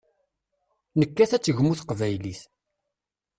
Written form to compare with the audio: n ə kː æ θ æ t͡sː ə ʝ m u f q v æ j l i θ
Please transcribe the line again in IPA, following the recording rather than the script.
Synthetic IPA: n ə kː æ θ æ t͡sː ə ʝ m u θ q v æ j l i θ

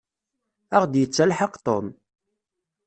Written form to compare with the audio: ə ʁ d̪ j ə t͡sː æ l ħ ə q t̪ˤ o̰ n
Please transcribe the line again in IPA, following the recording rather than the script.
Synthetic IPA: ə ʁ d̪ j ə t͡sː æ l ħ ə q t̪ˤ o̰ m

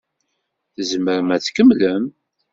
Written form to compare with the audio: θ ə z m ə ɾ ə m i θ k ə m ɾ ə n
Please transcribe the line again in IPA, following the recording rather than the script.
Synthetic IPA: θ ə z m ə ɾ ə m æ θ k ə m l ə m

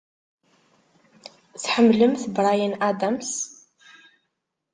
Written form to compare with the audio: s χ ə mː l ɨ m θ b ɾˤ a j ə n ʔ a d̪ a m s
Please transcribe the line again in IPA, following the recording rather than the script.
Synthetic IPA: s ħ ə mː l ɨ m θ b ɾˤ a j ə n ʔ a d̪ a m s

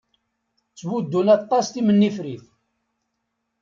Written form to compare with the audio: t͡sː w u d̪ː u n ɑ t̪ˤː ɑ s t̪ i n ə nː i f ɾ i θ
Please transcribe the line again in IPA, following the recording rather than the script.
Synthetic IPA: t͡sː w u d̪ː u n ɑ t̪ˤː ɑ s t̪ i m ə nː i f ɾ i θ

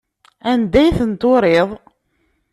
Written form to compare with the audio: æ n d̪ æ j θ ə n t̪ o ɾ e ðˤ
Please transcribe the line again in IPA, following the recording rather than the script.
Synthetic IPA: æ n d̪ æ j θ ə n t̪ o ɾ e ðˤ

